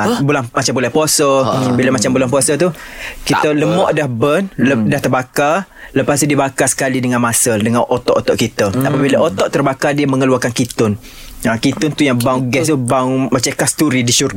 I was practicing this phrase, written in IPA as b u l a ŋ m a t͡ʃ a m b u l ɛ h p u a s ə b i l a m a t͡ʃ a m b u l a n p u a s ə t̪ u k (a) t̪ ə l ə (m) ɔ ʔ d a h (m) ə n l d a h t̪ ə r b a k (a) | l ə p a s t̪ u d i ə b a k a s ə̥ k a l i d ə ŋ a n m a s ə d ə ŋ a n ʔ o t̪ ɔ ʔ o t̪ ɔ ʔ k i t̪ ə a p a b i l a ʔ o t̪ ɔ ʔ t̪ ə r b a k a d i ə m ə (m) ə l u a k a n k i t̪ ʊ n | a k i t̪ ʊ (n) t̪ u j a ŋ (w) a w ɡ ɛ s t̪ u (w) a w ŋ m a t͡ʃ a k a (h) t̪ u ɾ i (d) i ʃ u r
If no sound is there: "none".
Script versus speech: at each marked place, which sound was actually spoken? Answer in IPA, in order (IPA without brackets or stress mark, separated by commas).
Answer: i, m, b, a, ŋ, n, b, b, s, d